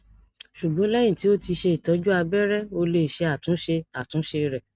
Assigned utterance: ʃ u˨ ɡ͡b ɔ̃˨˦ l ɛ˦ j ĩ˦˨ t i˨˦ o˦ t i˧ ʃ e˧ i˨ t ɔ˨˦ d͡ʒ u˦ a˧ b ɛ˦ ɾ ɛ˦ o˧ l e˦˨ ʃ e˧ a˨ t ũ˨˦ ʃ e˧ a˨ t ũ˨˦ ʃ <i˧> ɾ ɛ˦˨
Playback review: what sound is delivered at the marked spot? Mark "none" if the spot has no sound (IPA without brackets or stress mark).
e˧